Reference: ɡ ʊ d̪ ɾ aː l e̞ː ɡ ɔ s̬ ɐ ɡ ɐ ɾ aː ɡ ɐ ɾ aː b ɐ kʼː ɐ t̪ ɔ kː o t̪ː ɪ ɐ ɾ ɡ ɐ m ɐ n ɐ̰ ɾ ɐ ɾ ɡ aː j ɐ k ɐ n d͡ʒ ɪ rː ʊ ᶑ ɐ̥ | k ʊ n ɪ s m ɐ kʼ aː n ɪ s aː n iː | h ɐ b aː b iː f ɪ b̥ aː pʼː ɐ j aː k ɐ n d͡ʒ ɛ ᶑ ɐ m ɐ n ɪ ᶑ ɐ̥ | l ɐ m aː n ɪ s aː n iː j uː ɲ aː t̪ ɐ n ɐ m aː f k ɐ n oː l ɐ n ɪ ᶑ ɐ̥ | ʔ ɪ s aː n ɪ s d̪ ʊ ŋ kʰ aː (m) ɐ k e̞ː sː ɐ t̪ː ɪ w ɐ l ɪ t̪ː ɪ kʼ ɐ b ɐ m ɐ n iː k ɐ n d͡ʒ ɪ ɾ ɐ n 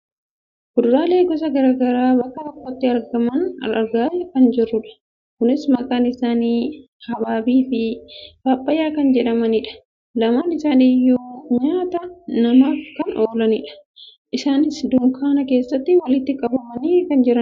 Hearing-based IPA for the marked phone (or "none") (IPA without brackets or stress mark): n